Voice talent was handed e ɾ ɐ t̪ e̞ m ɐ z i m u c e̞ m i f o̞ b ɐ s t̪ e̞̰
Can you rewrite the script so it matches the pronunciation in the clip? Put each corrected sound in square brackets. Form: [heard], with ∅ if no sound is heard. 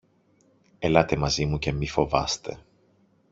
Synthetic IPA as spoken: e [l] ɐ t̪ e̞ m ɐ z i m u c e̞ m i f o̞ [v] ɐ s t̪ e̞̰